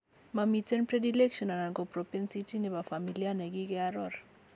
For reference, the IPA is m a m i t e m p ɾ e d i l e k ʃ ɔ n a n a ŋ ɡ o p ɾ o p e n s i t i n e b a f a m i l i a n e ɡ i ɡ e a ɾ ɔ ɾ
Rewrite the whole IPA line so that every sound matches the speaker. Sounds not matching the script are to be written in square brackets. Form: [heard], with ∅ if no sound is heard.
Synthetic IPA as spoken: m a m i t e [n] p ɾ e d i l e k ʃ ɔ n a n a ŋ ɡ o p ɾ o p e n s i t i n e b a f a m i l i a n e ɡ i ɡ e a ɾ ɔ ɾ